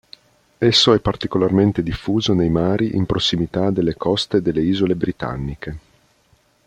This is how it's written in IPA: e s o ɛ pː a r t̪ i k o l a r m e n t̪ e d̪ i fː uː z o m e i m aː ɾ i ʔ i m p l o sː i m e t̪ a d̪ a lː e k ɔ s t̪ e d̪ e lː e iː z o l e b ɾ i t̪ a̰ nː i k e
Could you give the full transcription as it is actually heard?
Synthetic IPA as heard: e sː o ɛ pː a r t̪ i k o l a r m e n t̪ e d̪ i fː uː z o n e j m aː ɾ i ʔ i m p ɾ o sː i m i t̪ a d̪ e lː e k ɔ s t̪ e d̪ e lː e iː z o l e b ɾ i t̪ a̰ nː i k e